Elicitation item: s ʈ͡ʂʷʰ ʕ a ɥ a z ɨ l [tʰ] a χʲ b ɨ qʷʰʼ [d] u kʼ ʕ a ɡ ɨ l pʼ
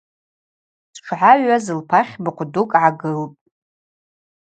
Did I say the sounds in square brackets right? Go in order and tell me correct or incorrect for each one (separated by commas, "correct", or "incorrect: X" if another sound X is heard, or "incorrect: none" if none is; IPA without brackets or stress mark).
incorrect: pʰ, correct